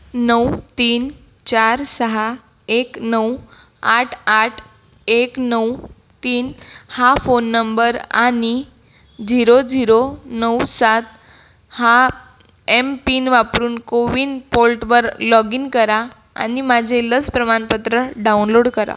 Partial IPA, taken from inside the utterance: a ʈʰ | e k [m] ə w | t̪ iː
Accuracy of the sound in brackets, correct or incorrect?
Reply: incorrect: n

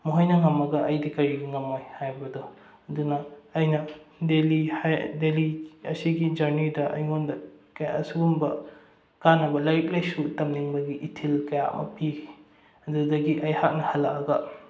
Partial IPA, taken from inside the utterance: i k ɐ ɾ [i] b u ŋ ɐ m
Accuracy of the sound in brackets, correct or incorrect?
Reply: correct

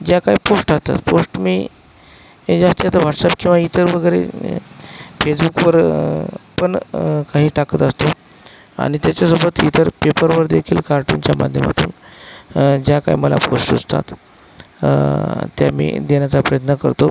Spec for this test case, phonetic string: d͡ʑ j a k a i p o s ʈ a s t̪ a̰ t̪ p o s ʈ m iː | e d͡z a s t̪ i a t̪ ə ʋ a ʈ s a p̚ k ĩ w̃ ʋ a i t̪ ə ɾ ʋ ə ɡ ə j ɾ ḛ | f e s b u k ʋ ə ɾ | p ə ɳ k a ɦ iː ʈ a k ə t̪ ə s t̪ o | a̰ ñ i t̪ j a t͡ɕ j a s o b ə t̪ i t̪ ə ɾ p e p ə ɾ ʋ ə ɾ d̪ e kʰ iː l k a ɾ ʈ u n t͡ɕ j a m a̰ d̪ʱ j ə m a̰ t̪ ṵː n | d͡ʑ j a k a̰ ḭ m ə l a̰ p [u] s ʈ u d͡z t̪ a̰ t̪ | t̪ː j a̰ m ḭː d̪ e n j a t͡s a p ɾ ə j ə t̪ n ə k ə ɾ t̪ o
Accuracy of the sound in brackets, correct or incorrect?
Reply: incorrect: o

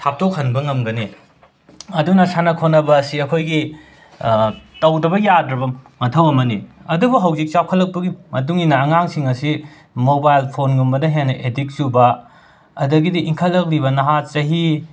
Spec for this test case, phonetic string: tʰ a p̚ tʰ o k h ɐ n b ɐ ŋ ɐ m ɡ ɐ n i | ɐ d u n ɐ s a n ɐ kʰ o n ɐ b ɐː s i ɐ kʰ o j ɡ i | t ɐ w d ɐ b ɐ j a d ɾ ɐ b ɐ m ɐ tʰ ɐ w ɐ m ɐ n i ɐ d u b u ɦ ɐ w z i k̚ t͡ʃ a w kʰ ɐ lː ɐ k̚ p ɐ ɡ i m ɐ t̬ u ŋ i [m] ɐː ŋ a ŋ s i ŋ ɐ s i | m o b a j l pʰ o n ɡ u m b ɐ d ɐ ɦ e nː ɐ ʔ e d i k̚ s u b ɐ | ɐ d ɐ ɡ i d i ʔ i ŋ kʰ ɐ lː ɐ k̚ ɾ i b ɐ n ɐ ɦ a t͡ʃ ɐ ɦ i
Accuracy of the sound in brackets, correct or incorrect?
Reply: incorrect: n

